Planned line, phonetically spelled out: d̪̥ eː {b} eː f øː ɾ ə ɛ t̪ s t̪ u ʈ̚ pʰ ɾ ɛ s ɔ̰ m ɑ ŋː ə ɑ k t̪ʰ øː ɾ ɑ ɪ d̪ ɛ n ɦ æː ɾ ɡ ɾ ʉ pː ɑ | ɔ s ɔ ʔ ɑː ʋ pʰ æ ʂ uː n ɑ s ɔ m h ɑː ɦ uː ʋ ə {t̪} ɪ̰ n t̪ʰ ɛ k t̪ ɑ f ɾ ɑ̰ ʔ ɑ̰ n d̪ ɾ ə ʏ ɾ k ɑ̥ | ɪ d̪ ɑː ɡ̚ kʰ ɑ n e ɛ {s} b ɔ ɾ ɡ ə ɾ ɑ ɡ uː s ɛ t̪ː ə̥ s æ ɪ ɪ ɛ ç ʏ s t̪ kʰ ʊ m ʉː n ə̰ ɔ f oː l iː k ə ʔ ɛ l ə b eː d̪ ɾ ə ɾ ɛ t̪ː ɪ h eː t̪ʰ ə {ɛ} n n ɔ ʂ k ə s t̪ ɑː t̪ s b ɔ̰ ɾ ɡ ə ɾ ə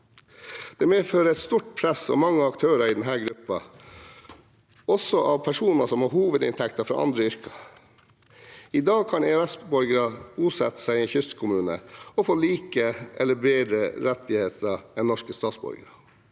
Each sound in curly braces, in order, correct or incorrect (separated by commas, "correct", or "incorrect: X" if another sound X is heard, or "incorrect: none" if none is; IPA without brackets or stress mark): incorrect: m, incorrect: d̪, correct, correct